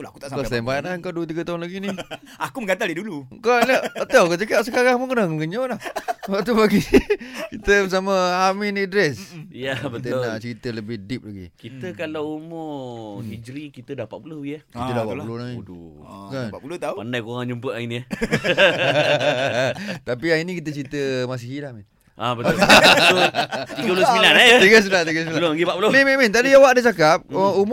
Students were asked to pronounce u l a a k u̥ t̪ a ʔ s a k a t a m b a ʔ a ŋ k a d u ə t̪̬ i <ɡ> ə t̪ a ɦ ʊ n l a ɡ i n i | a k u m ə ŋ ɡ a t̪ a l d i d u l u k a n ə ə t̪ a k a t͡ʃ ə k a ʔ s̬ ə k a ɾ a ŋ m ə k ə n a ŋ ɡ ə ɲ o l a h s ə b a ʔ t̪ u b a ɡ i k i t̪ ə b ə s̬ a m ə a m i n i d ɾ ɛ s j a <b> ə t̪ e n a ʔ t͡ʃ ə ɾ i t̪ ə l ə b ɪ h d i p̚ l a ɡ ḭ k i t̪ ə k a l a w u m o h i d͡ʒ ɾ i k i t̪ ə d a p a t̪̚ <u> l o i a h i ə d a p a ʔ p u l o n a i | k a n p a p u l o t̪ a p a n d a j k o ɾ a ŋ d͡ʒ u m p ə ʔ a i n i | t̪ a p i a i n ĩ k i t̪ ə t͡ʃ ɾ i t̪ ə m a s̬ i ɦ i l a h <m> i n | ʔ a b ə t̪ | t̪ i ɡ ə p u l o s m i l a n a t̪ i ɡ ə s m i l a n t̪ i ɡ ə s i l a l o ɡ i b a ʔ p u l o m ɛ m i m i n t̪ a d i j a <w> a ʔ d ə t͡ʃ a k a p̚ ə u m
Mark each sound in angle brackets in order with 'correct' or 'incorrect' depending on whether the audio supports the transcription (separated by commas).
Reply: correct, correct, correct, correct, correct